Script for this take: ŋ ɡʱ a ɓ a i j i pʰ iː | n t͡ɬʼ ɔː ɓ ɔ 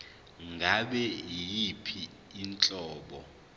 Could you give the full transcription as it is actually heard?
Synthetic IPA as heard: ŋ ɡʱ a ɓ ɛ i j i pʰ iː | n t͡ɬʼ ɔː ɓ ɔ